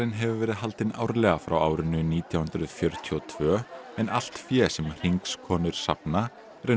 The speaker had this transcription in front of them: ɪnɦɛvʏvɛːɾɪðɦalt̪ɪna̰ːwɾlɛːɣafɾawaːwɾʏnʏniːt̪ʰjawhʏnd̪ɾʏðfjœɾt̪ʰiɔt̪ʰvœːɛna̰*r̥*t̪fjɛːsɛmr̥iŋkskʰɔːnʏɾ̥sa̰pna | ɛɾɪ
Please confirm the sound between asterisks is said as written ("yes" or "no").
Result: no